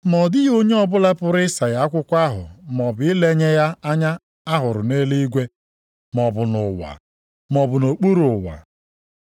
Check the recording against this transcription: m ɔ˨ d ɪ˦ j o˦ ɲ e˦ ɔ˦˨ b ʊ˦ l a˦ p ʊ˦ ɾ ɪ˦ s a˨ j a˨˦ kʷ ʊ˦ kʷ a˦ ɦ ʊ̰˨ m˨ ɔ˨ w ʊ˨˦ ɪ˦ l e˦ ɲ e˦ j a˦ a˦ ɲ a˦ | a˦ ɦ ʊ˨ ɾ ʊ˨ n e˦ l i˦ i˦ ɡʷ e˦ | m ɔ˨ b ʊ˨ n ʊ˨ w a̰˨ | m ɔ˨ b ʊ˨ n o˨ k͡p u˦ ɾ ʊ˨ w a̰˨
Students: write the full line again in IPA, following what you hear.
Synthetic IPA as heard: m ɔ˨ d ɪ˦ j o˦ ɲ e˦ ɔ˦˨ b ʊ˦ l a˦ p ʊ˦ ɾ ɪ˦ s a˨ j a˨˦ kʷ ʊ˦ kʷ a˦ ɦ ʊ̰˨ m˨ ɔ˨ b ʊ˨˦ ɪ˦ l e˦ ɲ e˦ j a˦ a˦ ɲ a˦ | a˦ ɦ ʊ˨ ɾ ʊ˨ n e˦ l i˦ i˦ ɡʷ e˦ | m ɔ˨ b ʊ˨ n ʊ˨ w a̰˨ | m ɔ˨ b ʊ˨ n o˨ k͡p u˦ ɾ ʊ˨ w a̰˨